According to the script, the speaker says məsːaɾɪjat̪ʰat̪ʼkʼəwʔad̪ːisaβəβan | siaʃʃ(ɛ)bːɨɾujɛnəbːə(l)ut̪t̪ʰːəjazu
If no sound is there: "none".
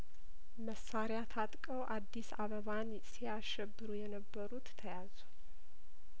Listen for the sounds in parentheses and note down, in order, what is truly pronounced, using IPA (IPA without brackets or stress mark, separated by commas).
ɛ, ɾ